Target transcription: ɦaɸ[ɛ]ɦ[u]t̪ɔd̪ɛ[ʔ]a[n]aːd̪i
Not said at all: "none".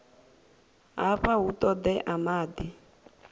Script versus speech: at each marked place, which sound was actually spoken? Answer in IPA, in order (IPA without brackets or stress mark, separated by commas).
a, u, ʔ, m